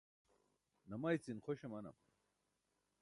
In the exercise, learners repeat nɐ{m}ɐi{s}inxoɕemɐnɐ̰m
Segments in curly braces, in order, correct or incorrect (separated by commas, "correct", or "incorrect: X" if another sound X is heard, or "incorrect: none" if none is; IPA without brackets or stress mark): correct, incorrect: t͡s